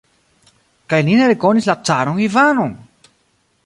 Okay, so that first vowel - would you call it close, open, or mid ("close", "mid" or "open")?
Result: open